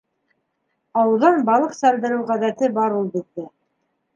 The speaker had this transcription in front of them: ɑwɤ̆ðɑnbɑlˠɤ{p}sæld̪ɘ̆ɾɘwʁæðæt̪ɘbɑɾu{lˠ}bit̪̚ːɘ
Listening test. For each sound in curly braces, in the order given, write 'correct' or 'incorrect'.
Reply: incorrect, correct

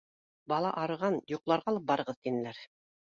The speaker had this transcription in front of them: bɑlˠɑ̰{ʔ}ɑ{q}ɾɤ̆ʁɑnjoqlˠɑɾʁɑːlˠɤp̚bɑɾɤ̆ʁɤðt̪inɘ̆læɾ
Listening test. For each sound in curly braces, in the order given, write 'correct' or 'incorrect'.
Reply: correct, incorrect

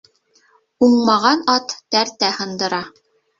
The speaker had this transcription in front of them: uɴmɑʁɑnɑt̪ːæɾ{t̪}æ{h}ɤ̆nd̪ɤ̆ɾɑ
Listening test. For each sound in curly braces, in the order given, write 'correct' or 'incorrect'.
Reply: correct, correct

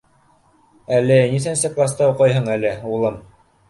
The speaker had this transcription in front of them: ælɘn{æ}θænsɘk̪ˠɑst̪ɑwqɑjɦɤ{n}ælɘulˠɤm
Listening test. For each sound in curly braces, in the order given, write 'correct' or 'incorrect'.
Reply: incorrect, incorrect

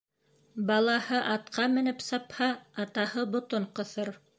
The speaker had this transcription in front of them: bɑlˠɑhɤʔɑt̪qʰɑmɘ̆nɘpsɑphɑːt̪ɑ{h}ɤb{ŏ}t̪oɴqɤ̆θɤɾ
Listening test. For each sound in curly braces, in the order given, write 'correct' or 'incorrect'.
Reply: correct, correct

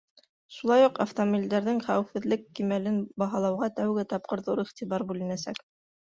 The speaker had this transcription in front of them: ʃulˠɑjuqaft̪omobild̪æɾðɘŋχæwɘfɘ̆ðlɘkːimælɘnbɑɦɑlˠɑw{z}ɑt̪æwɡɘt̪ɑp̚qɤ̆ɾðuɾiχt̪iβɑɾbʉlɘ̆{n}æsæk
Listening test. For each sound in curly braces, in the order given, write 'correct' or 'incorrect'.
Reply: incorrect, correct

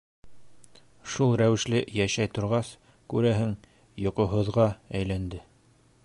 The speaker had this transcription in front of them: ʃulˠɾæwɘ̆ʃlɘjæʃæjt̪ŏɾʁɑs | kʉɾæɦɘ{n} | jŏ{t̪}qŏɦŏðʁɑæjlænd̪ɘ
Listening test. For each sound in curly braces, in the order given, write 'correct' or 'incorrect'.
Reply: incorrect, incorrect

